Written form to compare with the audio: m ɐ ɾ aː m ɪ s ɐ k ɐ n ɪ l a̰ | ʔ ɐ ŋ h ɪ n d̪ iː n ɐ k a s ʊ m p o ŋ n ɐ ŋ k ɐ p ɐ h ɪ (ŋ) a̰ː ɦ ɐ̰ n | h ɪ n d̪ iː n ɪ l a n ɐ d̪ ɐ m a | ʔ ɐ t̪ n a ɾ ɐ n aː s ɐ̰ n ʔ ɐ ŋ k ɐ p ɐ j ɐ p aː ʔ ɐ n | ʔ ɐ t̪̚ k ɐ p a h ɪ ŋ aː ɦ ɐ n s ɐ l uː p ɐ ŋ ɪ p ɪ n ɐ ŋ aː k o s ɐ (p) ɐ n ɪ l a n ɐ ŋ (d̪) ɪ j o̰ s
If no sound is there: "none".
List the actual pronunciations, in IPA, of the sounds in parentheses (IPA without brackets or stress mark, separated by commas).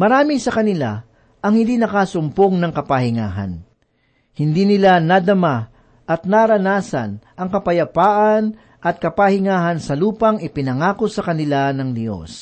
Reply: ŋ, k, d̪